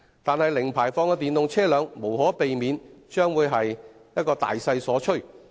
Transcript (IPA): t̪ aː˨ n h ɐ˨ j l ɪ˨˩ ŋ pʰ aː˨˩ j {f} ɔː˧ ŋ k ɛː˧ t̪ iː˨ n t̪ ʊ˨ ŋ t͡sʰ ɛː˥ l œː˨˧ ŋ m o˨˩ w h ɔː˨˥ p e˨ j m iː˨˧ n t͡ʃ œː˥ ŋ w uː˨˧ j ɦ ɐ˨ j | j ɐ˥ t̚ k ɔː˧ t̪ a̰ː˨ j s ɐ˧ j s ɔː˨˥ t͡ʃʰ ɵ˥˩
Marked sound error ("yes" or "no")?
no